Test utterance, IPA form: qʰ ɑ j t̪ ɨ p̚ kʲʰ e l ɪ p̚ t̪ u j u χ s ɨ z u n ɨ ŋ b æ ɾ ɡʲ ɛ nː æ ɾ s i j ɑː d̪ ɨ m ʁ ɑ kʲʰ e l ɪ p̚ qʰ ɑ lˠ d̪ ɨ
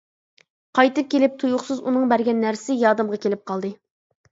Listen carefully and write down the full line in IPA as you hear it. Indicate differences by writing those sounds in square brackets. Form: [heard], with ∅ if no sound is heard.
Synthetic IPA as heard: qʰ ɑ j t̪ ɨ p̚ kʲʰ e l ɪ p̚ [t̪ʰ] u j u χ s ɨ z u n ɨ ŋ b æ ɾ ɡʲ ɛ nː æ ɾ s [ɪ] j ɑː d̪ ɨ m ʁ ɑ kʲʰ e l ɪ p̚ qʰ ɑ lˠ d̪ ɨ